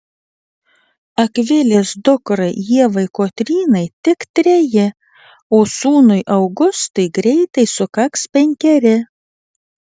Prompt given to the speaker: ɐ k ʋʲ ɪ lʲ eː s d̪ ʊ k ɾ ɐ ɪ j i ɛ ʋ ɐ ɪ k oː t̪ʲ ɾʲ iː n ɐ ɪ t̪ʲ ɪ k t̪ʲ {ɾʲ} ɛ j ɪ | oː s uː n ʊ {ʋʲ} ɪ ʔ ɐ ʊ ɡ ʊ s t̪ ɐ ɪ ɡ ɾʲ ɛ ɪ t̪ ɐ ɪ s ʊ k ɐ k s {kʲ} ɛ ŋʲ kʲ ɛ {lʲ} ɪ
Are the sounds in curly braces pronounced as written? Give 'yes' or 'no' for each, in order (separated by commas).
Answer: yes, no, no, no